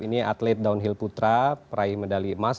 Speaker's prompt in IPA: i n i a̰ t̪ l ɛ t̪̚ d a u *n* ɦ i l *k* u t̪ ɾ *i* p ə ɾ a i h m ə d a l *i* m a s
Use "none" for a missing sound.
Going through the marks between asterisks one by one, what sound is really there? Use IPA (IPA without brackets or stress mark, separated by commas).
n, p, a, i